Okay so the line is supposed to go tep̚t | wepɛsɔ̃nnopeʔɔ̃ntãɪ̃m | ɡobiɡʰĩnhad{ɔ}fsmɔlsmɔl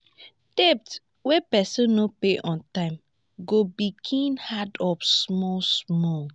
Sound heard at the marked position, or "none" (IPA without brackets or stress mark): ɔ